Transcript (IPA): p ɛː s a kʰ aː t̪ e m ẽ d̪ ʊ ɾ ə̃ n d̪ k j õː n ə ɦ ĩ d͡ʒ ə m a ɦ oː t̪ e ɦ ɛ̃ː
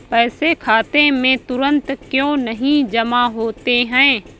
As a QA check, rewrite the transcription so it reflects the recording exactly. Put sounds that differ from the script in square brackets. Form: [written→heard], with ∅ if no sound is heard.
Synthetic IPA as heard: p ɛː s [a→e] kʰ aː t̪ e m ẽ [d̪→t̪] ʊ ɾ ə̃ n [d̪→t̪] k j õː n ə ɦ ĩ d͡ʒ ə m a ɦ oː t̪ e ɦ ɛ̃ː